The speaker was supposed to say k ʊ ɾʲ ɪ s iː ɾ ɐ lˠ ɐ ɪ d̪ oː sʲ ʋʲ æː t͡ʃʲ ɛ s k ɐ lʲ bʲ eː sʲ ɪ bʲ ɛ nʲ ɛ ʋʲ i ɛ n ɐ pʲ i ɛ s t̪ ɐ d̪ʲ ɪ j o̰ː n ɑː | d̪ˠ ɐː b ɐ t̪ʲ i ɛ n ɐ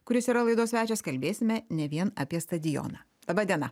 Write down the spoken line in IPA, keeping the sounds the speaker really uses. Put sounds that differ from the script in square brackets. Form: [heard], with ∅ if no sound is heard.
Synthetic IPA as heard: k ʊ ɾʲ ɪ s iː ɾ ɐ lˠ ɐ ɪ d̪ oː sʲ ʋʲ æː t͡ʃʲ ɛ s k ɐ lʲ bʲ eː sʲ ɪ [mʲ] ɛ nʲ ɛ ʋʲ i ɛ n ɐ pʲ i ɛ s t̪ ɐ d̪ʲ ɪ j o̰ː n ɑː | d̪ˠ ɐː b ɐ [d̪ʲ] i ɛ n ɐ